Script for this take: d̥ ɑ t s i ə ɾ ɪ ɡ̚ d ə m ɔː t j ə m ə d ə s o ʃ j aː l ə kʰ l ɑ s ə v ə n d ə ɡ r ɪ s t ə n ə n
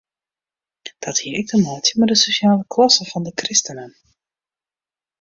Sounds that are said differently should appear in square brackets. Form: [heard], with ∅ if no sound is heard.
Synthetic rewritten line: d̥ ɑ t [h] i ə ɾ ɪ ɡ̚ d ə m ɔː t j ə m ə d ə s o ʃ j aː l ə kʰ l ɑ s ə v [ɑ] n d ə [k] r ɪ s t ə n ə n